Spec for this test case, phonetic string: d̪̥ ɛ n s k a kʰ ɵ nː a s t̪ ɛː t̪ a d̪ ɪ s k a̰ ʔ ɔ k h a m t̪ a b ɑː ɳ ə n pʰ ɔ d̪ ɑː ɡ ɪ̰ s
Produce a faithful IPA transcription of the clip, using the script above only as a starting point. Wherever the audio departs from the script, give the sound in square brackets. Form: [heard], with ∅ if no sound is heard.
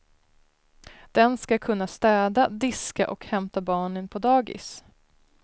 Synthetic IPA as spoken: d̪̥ ɛ n s k a kʰ ɵ nː a s t̪ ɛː [d̪] a d̪ ɪ s k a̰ ʔ ɔ k h [ɛ] m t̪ a b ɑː ɳ ə n pʰ ɔ d̪ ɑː ɡ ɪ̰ s